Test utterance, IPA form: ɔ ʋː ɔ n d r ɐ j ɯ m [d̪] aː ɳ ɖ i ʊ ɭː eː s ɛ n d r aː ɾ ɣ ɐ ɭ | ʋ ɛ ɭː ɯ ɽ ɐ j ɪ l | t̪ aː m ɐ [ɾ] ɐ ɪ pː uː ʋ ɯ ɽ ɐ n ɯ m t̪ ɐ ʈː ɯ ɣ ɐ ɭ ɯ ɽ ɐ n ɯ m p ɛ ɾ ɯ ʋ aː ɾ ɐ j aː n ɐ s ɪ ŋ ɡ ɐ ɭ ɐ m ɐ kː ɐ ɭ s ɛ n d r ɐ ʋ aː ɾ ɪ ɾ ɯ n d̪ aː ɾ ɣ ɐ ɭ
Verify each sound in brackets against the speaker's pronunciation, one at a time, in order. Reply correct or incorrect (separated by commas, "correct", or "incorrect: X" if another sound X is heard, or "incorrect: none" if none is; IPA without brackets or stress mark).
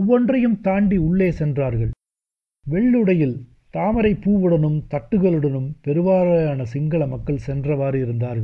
incorrect: t̪, correct